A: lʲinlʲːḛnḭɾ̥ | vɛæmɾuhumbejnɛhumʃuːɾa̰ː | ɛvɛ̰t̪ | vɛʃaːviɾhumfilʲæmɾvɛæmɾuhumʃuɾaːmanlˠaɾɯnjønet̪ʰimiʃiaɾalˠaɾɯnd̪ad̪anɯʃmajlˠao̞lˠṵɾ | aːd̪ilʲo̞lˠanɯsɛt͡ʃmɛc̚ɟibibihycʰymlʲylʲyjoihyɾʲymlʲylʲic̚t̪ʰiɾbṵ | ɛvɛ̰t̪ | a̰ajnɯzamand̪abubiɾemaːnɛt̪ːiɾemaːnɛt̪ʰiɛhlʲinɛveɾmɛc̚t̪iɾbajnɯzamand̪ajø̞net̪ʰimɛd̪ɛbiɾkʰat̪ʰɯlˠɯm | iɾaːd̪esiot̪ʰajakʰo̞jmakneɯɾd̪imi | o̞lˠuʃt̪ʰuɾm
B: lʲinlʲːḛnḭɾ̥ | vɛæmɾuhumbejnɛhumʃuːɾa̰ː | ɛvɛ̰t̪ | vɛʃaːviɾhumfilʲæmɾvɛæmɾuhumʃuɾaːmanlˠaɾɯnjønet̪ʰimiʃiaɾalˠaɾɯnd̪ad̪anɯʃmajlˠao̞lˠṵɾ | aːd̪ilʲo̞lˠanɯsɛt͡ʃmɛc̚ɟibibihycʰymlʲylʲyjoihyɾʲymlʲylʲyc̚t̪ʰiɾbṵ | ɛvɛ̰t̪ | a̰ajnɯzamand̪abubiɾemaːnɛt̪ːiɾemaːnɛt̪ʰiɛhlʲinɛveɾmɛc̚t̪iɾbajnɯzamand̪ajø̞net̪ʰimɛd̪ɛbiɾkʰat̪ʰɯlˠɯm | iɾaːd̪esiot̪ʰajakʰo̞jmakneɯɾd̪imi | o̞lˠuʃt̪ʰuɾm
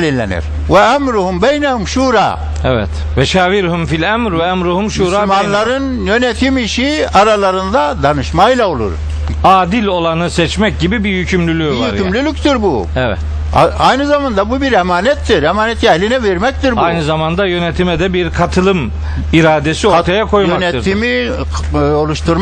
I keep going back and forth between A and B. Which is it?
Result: B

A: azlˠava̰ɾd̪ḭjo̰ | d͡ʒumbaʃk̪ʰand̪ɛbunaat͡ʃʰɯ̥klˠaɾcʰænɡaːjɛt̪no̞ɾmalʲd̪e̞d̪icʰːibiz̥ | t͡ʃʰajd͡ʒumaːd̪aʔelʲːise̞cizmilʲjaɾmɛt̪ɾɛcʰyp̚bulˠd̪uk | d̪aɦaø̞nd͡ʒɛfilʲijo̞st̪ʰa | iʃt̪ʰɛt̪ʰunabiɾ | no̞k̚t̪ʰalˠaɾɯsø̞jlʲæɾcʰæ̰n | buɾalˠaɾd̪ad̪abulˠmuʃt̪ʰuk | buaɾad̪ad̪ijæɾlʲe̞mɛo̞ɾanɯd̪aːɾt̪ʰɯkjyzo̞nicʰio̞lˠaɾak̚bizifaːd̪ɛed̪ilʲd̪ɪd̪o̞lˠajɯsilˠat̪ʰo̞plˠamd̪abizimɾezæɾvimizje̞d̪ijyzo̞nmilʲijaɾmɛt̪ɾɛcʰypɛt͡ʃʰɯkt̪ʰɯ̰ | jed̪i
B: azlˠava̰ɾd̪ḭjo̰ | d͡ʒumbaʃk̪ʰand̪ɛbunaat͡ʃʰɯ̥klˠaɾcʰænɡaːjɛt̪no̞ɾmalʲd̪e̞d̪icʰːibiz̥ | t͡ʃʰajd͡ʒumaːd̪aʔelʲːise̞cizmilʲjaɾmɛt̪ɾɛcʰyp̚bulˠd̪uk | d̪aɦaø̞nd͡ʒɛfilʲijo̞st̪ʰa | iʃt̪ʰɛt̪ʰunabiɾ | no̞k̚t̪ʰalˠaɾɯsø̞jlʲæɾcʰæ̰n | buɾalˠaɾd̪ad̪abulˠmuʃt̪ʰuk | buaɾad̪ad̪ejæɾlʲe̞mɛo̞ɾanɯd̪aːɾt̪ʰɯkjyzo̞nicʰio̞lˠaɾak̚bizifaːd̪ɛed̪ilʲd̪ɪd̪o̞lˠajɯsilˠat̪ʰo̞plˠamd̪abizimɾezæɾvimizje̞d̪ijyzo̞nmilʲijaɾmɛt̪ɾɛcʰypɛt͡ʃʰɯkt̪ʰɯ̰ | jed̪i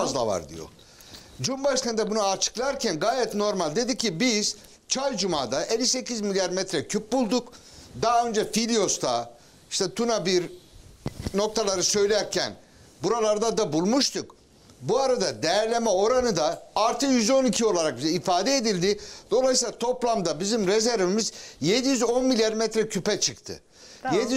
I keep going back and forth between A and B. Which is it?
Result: B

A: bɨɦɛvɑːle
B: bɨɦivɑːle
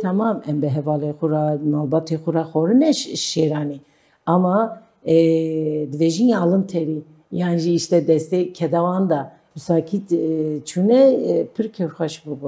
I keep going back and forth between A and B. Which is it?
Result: A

